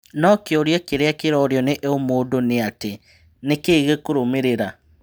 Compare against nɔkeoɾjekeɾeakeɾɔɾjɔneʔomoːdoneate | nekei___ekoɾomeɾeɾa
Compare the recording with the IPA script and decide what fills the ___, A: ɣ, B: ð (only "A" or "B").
A